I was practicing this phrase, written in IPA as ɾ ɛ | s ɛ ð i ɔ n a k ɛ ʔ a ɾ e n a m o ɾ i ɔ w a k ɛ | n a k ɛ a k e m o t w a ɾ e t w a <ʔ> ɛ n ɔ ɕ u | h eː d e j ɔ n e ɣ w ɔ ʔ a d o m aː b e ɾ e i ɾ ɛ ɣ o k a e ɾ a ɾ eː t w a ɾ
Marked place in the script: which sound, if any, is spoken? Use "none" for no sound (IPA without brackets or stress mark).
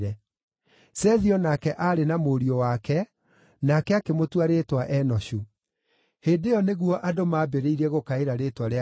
ʔ